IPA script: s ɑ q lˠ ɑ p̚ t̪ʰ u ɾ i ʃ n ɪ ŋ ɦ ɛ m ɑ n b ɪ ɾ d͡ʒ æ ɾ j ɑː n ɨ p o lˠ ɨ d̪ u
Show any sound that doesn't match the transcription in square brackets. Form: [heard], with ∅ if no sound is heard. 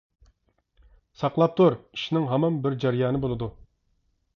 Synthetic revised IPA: s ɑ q lˠ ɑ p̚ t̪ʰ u ɾ i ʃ n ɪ ŋ ɦ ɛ m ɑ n b ɪ ɾ d͡ʒ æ ɾ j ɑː n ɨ [b] o lˠ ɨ d̪ u